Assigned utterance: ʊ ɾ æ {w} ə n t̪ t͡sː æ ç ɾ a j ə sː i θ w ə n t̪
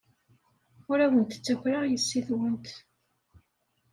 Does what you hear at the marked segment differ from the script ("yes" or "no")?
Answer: no